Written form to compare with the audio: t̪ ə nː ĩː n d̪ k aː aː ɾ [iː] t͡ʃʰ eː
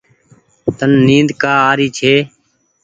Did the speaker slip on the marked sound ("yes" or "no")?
no